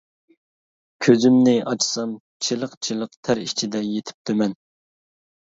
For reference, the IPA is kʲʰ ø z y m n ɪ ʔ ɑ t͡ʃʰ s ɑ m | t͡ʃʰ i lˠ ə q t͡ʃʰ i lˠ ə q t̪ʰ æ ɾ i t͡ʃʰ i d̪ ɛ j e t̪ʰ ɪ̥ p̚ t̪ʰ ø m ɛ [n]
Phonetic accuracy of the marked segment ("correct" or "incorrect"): correct